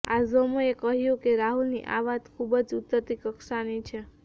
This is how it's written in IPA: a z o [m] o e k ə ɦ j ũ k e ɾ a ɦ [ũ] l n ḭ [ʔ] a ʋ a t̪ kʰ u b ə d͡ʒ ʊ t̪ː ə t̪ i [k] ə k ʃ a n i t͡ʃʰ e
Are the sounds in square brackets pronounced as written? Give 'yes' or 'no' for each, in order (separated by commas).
yes, no, yes, yes